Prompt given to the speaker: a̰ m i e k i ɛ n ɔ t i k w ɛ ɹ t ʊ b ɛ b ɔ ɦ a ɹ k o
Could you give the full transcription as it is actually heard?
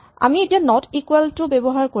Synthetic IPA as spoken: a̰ m i e t i a n ɔ t i k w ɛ l t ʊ b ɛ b ɔ ɦ a ɹ k o